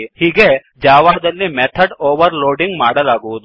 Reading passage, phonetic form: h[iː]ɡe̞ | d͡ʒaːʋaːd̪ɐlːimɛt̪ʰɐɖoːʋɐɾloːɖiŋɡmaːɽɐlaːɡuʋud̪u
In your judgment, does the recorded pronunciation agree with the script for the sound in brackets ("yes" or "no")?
yes